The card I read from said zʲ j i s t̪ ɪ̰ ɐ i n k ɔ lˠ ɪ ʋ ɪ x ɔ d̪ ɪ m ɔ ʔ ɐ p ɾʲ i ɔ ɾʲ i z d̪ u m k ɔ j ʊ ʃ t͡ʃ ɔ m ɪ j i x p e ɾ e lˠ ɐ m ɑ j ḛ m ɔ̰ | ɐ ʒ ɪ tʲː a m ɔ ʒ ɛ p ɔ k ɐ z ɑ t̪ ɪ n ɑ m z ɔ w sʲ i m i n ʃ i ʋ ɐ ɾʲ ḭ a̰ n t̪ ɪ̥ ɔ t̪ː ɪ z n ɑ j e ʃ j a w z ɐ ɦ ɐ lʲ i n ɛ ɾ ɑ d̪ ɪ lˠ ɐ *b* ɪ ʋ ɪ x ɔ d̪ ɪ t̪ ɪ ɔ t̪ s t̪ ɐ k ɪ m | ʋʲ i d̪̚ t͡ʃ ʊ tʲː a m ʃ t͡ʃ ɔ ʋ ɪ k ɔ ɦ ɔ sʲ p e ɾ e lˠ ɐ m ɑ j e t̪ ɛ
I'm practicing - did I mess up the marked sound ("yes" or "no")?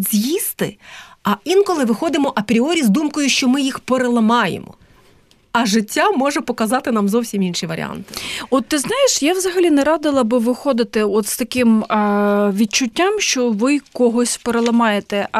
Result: no